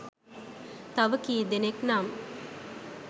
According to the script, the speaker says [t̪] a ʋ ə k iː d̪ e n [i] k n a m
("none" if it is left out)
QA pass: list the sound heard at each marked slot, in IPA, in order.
t̪, e

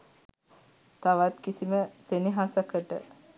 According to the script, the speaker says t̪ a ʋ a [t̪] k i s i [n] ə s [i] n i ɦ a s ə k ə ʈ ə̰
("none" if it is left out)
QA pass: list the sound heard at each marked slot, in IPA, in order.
t̪, m, e

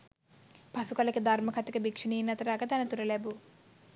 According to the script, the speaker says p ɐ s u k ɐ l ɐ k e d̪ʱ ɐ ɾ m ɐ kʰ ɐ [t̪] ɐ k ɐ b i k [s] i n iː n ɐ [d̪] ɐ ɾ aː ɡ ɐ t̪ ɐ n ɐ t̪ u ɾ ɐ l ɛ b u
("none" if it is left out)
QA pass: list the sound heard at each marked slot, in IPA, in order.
t̪, ʂ, t̪

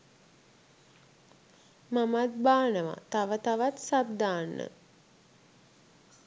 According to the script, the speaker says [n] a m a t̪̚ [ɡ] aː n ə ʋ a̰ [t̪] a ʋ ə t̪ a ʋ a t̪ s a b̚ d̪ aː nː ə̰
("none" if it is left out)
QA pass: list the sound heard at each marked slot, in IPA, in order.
m, b, t̪

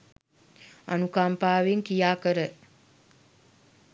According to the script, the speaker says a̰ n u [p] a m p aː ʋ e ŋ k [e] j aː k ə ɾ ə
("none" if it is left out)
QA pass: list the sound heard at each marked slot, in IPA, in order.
k, i

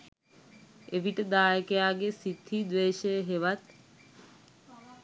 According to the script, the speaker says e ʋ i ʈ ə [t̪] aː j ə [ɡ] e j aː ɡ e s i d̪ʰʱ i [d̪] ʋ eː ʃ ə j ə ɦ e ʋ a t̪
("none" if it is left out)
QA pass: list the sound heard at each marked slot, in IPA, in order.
d̪, k, d̪

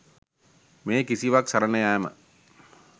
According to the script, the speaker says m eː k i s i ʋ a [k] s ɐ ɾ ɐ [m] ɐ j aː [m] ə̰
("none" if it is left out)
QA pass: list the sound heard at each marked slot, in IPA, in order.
k, n, m

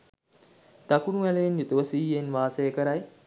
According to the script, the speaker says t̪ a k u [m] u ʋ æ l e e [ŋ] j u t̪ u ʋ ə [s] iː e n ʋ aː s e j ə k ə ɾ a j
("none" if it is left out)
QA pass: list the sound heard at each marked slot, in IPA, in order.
n, n, s

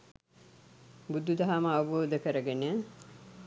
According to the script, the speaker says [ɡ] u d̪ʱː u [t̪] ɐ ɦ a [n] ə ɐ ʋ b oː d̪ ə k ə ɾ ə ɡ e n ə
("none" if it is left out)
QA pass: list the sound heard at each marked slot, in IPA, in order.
b, d̪, m

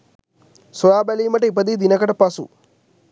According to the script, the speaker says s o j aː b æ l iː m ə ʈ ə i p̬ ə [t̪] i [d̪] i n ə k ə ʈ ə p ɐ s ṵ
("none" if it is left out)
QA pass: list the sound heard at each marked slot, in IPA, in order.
d̪, d̪

